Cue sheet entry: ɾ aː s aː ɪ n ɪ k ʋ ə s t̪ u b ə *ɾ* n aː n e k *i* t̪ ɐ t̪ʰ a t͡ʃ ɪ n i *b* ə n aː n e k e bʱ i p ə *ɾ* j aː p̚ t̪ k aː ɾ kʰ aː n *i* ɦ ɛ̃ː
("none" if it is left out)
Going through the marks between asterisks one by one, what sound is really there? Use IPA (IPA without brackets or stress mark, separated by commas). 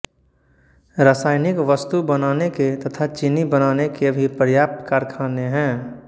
none, e, b, ɾ, e